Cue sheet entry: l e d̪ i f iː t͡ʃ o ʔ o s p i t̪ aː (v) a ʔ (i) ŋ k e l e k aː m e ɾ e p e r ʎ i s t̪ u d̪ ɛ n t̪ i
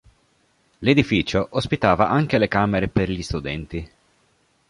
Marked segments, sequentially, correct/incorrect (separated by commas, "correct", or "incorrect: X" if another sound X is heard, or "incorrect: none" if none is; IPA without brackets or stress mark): correct, incorrect: a